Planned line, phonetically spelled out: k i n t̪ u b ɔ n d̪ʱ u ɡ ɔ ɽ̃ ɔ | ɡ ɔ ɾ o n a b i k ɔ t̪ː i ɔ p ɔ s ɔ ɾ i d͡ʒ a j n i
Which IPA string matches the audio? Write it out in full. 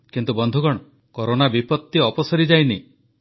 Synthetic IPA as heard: k i n t̪ u b ɔ n d̪ʱ u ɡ ɔ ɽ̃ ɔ | k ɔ ɾ o n a b i p ɔ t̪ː i ɔ p ɔ s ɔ ɾ i d͡ʒ a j n i